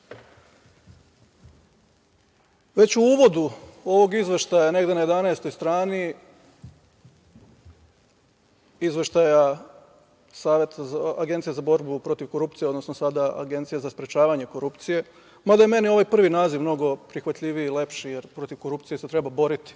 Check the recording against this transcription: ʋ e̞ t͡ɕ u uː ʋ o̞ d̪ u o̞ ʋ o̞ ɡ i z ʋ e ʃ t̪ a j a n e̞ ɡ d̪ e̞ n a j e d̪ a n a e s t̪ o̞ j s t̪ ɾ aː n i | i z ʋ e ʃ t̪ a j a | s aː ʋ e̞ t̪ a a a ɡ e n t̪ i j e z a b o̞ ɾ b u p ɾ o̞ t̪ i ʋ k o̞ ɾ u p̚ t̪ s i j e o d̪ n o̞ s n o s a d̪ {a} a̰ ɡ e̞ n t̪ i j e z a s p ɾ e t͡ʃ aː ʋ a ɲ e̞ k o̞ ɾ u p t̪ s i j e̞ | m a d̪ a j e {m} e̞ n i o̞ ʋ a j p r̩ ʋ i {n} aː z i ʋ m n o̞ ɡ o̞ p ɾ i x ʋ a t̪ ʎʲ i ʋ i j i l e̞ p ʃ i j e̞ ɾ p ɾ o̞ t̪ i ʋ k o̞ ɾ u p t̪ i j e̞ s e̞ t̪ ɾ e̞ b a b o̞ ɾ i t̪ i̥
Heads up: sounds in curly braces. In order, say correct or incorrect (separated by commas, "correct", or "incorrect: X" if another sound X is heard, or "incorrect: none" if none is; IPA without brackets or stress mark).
correct, correct, correct